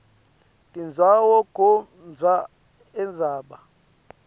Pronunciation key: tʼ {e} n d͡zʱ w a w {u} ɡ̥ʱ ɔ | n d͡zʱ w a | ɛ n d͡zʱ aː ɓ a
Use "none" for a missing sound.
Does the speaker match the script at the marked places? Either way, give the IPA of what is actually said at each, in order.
i, ɔ

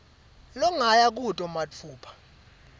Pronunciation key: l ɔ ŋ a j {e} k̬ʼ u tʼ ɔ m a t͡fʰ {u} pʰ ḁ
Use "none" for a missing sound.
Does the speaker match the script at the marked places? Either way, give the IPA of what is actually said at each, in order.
a, uː

